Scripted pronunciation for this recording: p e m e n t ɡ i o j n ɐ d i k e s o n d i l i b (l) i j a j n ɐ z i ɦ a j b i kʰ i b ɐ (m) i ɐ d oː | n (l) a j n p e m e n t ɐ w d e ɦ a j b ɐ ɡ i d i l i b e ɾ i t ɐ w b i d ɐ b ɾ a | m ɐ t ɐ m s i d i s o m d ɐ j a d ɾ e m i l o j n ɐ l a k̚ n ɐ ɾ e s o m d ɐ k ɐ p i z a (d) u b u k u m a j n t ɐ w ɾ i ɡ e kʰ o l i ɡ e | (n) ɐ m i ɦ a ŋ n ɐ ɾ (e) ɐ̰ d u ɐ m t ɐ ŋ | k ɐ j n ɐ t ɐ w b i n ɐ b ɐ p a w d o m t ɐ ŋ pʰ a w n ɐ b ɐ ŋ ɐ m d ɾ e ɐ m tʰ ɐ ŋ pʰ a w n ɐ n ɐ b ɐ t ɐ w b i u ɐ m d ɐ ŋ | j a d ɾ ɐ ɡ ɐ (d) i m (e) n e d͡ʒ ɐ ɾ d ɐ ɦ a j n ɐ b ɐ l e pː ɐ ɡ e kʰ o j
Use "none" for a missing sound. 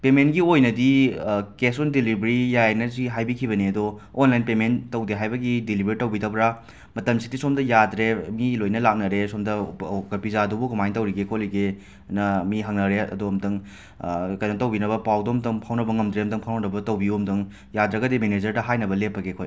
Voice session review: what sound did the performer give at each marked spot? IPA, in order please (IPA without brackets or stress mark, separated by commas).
ɾ, n, l, d, n, e, d, e